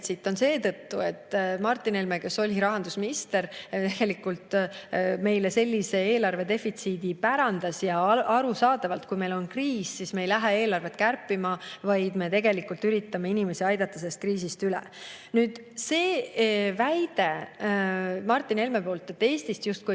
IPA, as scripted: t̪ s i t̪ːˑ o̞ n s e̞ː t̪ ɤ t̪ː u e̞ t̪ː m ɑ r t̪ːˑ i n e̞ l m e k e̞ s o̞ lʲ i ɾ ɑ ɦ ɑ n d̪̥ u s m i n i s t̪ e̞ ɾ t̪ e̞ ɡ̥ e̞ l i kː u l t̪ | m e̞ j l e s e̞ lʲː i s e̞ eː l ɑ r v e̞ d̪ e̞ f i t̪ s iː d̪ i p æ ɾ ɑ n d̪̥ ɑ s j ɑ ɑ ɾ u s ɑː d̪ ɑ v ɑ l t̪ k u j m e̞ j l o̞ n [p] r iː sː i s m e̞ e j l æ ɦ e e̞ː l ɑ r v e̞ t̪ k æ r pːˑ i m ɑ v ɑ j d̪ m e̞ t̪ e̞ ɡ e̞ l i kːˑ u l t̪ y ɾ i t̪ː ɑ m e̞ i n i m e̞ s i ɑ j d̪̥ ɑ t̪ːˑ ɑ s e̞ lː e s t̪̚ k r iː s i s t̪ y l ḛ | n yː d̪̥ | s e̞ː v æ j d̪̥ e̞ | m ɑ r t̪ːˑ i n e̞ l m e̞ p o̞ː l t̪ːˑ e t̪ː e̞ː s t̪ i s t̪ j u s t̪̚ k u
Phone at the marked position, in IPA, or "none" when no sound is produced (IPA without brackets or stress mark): k